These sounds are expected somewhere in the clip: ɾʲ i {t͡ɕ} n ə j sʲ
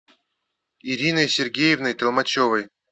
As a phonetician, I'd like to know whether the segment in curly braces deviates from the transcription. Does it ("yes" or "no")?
yes